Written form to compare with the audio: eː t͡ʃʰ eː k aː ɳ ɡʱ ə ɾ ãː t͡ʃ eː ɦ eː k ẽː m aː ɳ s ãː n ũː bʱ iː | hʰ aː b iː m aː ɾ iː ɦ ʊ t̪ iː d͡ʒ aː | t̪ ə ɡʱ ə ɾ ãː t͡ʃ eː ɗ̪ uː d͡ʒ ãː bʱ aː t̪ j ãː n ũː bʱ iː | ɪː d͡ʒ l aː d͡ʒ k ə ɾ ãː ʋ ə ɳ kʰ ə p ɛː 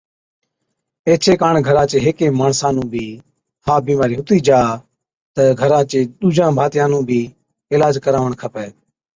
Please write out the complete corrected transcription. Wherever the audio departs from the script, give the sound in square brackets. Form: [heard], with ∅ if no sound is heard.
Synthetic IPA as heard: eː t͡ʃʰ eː k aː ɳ ɡʱ ə ɾ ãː t͡ʃ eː ɦ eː k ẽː m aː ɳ s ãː n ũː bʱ iː | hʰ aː b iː m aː ɾ iː ɦ ʊ t̪ iː d͡ʒ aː | t̪ ə ɡʱ ə ɾ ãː t͡ʃ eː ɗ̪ uː d͡ʒ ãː bʱ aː t̪ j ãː n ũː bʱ iː | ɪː [∅] l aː d͡ʒ k ə ɾ [aː] ʋ ə ɳ kʰ ə p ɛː